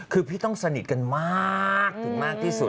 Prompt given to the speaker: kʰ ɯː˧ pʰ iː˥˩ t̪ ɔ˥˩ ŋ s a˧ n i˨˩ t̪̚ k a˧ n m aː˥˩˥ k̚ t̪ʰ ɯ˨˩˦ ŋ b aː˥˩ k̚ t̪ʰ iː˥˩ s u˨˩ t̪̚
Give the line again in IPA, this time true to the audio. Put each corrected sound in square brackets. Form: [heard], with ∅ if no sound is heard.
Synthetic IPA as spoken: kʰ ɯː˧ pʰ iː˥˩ t̪ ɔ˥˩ ŋ s a˧ n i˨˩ t̪̚ k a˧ n m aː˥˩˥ k̚ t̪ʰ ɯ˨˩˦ ŋ [m] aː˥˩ k̚ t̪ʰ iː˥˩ s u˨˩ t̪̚